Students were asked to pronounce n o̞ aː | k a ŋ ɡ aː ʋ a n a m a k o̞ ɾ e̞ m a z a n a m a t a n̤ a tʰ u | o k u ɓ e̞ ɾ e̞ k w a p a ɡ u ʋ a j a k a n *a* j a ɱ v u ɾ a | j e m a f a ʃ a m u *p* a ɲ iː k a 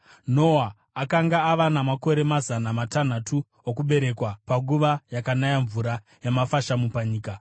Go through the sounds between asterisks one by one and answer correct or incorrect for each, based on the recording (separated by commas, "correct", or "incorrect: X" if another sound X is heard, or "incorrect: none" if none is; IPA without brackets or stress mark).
correct, correct